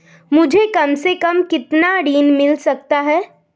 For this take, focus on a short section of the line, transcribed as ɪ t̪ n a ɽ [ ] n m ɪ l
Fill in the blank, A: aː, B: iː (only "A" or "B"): B